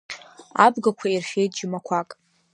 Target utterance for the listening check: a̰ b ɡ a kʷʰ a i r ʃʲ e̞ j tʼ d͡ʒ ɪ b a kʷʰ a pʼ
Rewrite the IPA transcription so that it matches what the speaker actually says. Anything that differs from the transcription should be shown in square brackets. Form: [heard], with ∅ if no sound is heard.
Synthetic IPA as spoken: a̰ b ɡ a kʷʰ a i r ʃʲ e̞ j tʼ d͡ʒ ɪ [m] a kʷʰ a [kʼ]